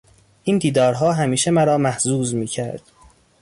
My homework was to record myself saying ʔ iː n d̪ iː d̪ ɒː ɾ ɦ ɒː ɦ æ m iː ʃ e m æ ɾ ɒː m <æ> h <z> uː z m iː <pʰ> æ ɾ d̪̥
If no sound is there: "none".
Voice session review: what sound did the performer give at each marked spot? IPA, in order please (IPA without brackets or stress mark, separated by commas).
æ, z, cʰ